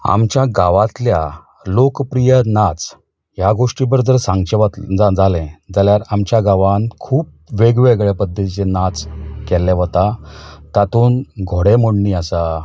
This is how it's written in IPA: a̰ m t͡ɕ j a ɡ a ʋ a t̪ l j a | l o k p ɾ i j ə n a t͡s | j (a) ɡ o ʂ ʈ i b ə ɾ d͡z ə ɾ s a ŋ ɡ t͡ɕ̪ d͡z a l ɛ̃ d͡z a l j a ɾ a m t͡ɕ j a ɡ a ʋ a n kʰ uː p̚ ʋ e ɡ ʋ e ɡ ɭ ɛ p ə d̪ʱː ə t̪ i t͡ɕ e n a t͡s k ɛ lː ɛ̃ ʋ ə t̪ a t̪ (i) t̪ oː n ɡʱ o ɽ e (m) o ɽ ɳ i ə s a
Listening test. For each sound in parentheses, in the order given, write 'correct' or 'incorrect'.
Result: correct, incorrect: a, correct

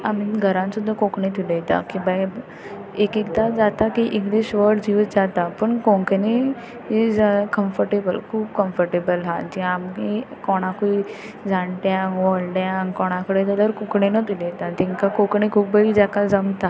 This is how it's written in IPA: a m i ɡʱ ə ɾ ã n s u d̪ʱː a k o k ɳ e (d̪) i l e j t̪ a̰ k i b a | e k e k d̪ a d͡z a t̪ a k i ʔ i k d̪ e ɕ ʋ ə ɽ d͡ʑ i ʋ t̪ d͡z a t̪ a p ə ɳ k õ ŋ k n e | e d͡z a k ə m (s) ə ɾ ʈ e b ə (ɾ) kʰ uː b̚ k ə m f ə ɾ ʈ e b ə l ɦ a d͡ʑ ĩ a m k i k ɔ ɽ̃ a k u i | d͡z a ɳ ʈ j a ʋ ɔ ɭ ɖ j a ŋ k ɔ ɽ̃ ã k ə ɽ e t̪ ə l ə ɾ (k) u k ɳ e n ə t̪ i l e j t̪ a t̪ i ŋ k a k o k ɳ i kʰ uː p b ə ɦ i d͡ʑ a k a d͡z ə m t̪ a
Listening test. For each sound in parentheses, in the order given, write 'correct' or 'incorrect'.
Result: incorrect: t̪, incorrect: f, incorrect: l, correct

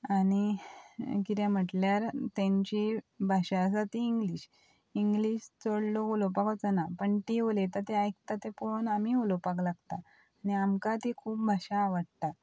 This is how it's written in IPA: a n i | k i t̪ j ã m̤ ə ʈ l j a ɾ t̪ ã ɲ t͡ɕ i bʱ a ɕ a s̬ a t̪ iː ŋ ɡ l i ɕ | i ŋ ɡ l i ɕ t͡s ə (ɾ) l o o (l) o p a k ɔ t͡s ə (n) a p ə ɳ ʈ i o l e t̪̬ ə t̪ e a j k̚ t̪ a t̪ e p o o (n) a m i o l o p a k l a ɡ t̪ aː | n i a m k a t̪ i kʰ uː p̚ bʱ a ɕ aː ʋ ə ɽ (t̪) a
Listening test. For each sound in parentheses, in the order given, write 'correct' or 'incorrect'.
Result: incorrect: ɽ, correct, correct, correct, correct

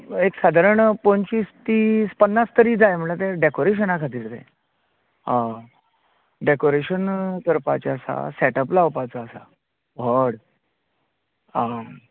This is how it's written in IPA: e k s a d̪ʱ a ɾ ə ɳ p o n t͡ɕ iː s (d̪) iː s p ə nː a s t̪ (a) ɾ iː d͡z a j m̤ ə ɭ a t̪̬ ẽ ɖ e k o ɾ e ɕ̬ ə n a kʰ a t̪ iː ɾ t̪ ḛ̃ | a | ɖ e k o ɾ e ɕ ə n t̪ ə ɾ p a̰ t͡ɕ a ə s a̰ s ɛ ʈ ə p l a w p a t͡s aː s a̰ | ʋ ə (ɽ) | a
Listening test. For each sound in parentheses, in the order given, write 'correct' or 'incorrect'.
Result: incorrect: t̪, incorrect: ə, correct

